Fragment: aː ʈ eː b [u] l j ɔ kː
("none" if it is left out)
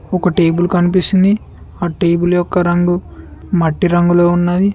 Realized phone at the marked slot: u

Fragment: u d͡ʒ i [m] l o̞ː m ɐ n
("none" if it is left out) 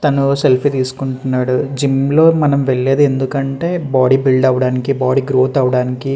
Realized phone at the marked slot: m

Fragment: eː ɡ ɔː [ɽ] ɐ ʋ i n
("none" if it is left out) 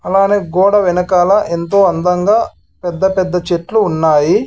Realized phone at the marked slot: ɽ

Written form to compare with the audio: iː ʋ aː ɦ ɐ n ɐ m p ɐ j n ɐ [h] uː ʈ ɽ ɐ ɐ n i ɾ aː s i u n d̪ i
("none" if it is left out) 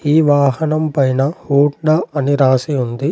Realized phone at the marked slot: h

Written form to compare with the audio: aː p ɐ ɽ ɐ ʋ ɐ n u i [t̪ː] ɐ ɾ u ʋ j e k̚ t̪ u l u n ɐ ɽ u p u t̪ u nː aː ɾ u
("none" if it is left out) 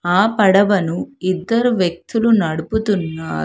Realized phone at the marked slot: d̪ː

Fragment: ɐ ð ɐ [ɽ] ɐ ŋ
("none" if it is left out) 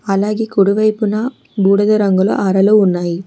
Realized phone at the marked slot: ɾ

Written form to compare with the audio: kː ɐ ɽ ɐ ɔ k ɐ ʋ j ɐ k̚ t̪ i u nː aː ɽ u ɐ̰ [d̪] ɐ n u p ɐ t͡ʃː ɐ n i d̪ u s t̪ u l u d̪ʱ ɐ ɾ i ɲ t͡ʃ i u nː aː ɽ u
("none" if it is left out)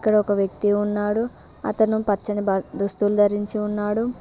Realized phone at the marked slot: t̪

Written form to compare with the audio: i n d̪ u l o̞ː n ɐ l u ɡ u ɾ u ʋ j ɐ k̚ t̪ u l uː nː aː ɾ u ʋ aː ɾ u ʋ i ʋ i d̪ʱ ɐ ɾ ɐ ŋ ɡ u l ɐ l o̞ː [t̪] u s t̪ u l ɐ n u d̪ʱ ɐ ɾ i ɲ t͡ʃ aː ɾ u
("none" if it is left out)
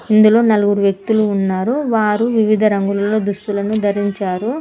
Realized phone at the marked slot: d̪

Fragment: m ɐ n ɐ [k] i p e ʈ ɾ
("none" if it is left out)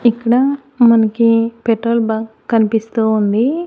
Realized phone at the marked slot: k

